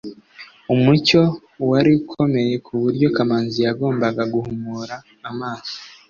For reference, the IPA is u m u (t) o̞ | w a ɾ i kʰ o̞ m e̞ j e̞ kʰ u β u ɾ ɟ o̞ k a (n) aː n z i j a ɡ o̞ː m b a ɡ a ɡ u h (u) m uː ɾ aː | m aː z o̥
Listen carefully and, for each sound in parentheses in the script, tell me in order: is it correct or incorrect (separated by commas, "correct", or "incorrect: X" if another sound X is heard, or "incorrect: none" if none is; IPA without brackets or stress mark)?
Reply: incorrect: c, incorrect: m, correct